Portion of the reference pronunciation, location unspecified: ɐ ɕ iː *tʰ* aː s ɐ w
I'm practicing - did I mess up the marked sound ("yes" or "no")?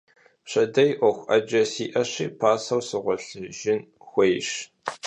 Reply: yes